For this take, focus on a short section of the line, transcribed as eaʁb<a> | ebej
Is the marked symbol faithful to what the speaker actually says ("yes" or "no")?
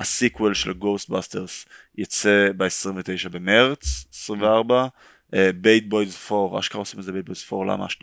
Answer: yes